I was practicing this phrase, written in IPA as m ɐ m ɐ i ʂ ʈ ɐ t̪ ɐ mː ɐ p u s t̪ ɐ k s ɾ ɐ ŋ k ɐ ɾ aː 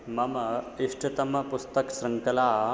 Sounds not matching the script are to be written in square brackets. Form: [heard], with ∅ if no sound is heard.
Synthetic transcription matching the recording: m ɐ m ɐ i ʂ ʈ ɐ t̪ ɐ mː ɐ p u s t̪ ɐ k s ɾ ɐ ŋ k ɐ [l] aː